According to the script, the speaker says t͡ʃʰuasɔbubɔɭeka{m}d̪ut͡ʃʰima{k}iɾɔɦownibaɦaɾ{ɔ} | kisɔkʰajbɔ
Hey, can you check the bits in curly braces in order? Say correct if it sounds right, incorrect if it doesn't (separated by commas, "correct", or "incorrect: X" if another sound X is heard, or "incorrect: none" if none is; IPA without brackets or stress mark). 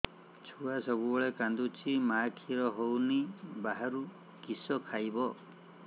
incorrect: n, incorrect: kʰ, incorrect: u